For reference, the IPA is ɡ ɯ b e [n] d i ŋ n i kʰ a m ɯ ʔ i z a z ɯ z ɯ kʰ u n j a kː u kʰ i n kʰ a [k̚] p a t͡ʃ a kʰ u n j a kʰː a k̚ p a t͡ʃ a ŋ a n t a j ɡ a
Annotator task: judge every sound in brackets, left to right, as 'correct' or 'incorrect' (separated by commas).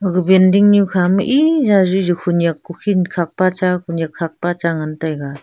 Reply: correct, correct